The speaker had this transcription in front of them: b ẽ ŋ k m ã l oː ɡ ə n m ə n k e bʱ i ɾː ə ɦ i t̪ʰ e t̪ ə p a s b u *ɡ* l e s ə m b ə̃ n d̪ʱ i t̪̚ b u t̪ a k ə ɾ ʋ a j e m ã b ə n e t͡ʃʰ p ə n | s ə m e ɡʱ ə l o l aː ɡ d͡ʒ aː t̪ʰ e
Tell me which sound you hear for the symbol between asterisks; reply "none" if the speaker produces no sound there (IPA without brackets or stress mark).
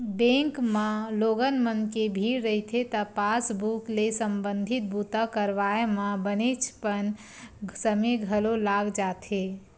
k